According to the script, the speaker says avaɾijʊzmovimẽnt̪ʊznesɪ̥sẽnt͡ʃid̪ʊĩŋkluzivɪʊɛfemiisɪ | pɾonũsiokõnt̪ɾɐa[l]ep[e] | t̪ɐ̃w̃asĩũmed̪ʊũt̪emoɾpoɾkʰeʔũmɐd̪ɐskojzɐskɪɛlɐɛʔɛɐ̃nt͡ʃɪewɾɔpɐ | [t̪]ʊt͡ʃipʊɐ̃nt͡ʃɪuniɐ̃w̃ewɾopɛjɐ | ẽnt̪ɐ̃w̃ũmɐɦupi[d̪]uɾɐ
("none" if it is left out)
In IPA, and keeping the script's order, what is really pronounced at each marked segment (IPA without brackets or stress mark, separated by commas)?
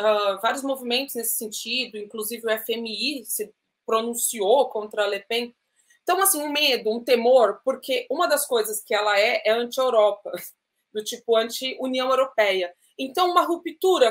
l, ẽ, d̪, t̪